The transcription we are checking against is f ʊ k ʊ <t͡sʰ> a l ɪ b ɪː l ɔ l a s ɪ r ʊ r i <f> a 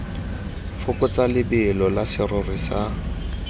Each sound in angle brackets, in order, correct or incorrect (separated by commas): incorrect, incorrect